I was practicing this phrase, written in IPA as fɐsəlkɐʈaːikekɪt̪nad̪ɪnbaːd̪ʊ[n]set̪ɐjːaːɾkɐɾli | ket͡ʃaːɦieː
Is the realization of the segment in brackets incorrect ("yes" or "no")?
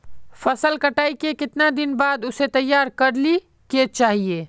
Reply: yes